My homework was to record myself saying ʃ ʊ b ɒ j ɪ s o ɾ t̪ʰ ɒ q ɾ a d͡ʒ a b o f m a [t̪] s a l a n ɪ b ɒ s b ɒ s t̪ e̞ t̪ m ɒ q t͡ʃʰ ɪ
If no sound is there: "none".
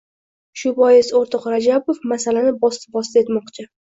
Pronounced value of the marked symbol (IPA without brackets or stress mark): none